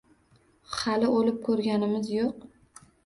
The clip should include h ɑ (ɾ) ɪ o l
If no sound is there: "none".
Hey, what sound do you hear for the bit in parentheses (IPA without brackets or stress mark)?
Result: l